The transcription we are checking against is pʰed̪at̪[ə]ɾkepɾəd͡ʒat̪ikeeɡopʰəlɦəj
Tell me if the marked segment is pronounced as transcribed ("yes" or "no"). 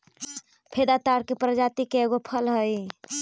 no